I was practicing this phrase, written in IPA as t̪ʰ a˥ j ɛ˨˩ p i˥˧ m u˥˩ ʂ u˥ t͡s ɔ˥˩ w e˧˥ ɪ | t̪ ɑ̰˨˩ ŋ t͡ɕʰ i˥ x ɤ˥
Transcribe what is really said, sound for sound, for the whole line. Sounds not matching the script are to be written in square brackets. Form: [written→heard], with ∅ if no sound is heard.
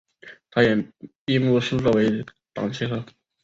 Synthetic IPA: t̪ʰ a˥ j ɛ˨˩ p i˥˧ m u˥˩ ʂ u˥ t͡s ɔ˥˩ w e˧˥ ɪ | t̪ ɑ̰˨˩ ŋ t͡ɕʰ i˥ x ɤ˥